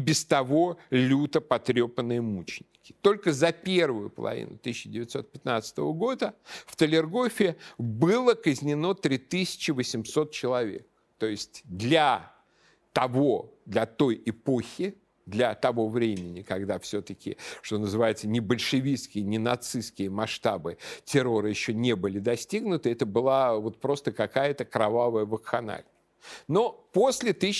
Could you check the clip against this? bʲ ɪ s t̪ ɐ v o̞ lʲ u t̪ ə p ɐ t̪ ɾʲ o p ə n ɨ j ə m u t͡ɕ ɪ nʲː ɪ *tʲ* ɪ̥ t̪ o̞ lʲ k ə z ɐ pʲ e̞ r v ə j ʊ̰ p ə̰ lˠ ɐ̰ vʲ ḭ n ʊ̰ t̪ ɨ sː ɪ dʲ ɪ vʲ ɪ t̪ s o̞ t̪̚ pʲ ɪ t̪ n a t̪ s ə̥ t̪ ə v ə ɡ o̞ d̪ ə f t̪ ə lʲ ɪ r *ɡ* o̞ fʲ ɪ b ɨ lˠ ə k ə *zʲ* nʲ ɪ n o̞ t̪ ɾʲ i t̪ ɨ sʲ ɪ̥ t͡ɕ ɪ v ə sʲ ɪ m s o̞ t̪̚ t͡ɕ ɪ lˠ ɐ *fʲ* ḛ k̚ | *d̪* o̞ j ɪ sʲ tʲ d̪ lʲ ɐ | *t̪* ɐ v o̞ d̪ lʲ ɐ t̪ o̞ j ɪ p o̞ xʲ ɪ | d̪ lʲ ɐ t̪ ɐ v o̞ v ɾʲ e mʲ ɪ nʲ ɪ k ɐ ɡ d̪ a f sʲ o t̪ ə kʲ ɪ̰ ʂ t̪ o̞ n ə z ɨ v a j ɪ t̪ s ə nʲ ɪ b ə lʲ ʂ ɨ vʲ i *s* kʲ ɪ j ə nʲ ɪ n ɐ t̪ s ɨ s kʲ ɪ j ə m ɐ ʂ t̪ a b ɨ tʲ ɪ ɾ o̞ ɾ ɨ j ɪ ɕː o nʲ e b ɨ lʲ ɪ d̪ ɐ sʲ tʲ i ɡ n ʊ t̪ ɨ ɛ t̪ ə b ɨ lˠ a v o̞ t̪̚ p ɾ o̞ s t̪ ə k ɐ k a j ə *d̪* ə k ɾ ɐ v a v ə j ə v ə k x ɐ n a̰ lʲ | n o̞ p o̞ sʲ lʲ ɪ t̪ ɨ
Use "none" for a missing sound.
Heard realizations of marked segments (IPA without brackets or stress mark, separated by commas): kʲ, ɡ, zʲ, vʲ, t̪, t̪, s, t̪